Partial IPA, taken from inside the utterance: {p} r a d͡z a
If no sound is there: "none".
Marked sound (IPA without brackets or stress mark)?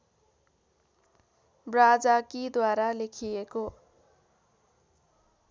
b